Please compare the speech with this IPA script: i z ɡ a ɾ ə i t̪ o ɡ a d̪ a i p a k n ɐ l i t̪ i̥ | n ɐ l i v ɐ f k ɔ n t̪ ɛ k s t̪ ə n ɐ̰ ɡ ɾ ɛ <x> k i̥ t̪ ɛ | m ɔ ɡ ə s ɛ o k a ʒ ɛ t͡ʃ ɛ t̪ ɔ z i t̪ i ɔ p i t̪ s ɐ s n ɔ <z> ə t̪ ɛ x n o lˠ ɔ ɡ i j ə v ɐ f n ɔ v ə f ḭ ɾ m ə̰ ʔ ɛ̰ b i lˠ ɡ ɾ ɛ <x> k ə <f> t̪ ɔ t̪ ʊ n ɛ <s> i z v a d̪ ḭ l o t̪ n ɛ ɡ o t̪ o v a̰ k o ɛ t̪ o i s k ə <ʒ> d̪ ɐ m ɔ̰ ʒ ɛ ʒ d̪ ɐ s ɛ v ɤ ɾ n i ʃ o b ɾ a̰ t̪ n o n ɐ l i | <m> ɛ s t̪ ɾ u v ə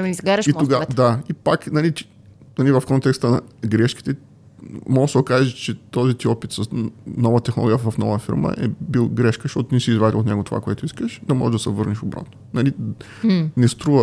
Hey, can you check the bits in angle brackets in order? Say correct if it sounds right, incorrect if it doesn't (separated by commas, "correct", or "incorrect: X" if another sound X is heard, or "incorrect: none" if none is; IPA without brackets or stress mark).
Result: incorrect: ʃ, incorrect: v, incorrect: ʃ, incorrect: ʃ, correct, incorrect: ʃ, incorrect: n